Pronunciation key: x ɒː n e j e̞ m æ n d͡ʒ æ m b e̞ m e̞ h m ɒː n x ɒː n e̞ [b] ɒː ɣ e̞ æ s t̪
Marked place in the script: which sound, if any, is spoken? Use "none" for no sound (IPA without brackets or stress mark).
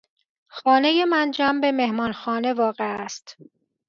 v